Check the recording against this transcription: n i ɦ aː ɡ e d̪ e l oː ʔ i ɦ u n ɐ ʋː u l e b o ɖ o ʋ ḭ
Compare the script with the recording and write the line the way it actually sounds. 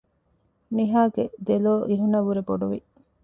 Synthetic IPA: n i ɦ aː ɡ e d̪ e l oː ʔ i ɦ u n ɐ ʋ u ɾ e b o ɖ u ʋ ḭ